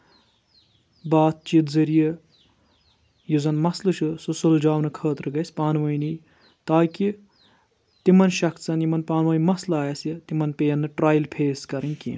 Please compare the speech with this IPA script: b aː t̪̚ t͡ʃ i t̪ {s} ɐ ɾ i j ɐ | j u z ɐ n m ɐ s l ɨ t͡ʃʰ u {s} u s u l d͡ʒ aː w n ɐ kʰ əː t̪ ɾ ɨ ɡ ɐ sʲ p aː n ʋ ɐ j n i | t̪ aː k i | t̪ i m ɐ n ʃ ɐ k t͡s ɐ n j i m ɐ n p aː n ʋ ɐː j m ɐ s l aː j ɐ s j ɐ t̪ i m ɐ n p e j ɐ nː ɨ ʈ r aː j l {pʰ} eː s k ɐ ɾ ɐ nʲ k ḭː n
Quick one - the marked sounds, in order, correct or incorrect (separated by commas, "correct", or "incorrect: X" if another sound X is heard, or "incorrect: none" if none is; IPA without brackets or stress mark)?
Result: incorrect: z, correct, correct